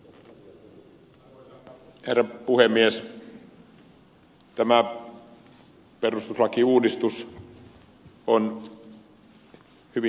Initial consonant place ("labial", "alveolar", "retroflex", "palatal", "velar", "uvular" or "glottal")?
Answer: glottal